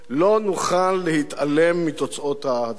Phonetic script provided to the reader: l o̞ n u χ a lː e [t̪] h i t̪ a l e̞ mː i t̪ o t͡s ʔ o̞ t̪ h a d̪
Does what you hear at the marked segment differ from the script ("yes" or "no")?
yes